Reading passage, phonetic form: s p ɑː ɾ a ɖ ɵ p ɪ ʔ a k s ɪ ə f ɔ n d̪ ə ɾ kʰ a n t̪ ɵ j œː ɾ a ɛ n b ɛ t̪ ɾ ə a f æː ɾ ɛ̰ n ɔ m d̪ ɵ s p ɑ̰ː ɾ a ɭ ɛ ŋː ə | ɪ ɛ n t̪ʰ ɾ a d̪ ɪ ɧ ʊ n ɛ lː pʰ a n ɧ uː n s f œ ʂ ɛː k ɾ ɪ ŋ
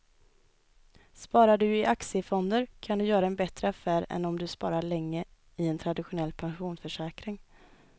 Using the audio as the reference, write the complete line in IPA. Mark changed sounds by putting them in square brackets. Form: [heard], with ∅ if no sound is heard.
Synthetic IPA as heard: s p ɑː ɾ a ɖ ɵ [∅] ɪ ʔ a k s ɪ ə f ɔ n d̪ ə ɾ kʰ a n [d̪] ɵ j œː ɾ a ɛ n b ɛ t̪ ɾ ə a f æː ɾ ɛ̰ n ɔ m d̪ ɵ s p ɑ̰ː ɾ a ɭ ɛ ŋː ə | ɪ ɛ n t̪ʰ ɾ a d̪ ɪ ɧ ʊ n ɛ lː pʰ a n ɧ uː n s f œ ʂ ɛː k ɾ ɪ ŋ